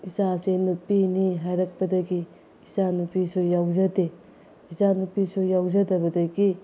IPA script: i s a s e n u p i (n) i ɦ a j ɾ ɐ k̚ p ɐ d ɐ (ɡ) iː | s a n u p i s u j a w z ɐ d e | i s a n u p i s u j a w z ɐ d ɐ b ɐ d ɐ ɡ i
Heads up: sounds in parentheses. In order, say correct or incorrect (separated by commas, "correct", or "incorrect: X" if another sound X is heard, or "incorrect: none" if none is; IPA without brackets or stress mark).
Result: correct, correct